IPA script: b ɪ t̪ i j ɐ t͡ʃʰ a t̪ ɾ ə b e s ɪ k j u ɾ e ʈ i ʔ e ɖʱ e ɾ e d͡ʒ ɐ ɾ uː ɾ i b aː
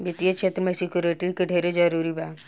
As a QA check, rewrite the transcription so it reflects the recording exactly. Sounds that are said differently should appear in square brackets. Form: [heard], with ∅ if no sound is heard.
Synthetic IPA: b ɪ t̪ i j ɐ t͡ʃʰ [e] t̪ ɾ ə [m] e s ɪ k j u ɾ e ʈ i [k] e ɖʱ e ɾ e d͡ʒ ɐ ɾ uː ɾ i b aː